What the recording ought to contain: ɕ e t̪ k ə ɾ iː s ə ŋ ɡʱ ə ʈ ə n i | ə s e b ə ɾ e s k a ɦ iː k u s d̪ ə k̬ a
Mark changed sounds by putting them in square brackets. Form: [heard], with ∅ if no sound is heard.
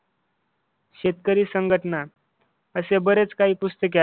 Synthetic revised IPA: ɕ e t̪ k ə ɾ iː s ə ŋ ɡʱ ə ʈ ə n [a] | ə s e b ə ɾ e [t͡s] k a ɦ iː [p] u s [t̪] ə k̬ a